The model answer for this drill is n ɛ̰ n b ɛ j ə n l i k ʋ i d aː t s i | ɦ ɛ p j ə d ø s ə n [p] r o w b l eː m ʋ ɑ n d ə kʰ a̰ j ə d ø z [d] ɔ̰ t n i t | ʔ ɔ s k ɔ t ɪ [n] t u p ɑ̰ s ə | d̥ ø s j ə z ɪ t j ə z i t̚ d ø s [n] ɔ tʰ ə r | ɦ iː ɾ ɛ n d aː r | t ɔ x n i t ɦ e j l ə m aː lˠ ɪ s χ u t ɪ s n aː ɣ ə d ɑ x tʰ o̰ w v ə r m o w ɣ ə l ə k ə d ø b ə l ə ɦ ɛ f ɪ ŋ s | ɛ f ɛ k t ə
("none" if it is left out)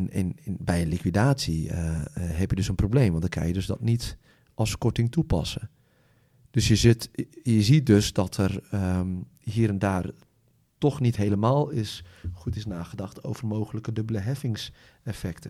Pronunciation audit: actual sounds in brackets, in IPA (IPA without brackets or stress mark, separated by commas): p, d, ŋ, d